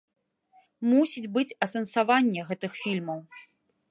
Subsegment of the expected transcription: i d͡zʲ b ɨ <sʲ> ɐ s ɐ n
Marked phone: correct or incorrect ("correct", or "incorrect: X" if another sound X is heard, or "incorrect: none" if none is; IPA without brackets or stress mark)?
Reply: incorrect: t͡sʲ